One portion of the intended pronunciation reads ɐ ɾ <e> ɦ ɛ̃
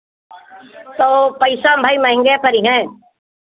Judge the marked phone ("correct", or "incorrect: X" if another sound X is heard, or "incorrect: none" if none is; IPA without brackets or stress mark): incorrect: i